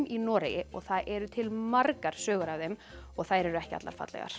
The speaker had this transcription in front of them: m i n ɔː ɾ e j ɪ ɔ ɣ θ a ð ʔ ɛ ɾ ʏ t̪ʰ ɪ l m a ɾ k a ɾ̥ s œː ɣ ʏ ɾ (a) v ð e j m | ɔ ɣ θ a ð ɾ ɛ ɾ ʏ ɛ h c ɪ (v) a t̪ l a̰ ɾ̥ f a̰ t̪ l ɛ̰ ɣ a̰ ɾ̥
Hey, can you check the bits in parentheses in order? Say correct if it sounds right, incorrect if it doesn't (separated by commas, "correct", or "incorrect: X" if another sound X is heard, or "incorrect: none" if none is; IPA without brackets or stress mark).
correct, incorrect: none